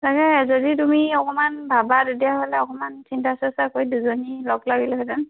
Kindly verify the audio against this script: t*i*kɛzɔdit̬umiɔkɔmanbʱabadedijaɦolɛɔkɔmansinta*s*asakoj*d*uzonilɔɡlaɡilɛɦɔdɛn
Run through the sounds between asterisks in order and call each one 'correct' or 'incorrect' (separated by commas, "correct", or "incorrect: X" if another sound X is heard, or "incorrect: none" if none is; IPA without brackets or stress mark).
incorrect: a, correct, correct